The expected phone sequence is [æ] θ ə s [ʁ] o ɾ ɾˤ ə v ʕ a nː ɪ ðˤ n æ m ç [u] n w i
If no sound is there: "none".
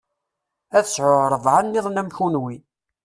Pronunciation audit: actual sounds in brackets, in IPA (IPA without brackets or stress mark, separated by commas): æ, ʕ, u